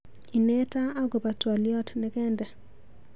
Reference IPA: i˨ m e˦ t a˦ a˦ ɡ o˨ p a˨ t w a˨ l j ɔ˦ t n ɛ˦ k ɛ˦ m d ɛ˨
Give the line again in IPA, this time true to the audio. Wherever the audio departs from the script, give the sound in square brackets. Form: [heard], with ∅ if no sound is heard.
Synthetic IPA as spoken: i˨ [n] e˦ t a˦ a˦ ɡ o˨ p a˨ t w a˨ l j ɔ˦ t n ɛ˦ k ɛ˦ [n] d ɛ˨